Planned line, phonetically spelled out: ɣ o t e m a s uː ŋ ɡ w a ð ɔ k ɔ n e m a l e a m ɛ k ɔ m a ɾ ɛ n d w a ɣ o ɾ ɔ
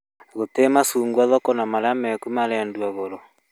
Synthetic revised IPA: ɣ o t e m a s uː ŋ ɡ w a ð ɔ k ɔ n a m a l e a m ɛ k u m a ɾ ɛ n d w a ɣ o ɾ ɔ